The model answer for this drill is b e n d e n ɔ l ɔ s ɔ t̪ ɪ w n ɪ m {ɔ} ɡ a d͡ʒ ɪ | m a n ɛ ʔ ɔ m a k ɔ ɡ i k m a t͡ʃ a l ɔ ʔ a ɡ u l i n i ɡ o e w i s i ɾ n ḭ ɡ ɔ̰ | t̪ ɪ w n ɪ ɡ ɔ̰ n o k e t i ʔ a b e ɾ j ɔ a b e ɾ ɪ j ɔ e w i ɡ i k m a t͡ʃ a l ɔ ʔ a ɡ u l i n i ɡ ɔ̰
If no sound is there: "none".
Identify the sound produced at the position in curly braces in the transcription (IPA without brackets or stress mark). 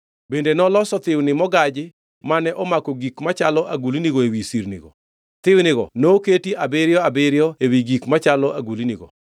ɔ